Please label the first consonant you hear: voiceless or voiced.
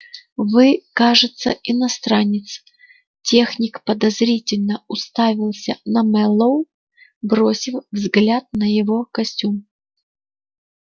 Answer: voiced